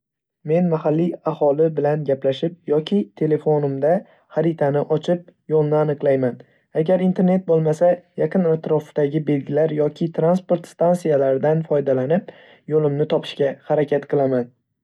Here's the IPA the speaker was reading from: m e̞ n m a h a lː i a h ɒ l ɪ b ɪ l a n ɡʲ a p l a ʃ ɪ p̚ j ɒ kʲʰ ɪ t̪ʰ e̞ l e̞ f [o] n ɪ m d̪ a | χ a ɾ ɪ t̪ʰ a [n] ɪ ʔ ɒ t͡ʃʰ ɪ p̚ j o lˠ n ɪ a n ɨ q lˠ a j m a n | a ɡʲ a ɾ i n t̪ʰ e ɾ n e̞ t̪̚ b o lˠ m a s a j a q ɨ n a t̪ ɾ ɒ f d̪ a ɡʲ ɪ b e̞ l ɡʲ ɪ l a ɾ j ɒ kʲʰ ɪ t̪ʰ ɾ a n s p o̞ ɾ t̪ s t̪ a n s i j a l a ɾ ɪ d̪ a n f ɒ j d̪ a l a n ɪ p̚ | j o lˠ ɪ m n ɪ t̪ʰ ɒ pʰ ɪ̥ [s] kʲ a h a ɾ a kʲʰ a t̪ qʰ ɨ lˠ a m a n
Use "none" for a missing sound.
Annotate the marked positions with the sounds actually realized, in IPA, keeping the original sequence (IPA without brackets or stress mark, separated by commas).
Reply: o, n, ʃ